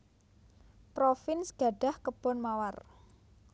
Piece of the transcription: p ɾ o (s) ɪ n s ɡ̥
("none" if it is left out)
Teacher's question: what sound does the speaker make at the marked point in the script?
f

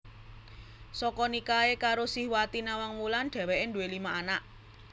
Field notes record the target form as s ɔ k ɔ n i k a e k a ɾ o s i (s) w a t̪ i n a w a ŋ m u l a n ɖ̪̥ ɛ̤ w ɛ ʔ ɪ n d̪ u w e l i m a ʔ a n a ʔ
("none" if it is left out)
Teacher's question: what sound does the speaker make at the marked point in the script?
h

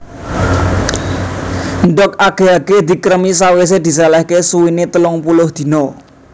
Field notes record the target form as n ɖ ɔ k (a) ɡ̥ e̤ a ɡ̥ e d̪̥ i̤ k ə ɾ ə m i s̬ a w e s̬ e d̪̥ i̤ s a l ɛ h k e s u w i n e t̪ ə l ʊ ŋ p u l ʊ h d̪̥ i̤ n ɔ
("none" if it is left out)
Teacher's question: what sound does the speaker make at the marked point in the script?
a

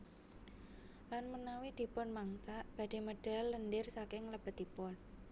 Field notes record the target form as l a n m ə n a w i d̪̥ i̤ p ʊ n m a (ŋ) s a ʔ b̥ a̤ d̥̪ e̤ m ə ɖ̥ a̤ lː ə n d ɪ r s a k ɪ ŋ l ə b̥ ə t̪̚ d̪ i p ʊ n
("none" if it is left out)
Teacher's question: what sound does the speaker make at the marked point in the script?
ŋ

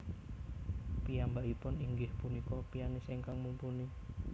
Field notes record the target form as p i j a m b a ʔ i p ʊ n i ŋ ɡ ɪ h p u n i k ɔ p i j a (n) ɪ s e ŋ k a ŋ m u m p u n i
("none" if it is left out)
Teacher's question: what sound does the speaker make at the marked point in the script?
n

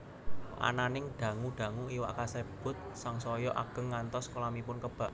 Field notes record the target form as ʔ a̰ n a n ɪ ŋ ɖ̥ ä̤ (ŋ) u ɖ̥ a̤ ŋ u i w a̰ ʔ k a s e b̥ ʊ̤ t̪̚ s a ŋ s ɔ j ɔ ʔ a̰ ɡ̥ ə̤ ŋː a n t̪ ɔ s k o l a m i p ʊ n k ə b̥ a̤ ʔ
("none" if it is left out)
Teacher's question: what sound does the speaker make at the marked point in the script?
ŋ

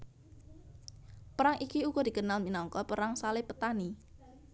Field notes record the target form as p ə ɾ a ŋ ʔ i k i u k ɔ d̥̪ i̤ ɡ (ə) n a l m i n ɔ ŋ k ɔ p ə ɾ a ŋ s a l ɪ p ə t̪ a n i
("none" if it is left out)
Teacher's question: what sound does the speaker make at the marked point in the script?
ə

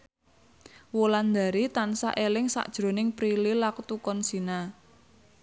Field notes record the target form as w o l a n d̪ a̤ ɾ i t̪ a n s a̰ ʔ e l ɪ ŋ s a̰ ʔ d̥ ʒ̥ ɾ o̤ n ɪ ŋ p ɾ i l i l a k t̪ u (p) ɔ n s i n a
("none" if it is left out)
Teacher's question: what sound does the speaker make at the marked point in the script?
k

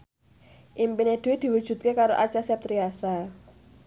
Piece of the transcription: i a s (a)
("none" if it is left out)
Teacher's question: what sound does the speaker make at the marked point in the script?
a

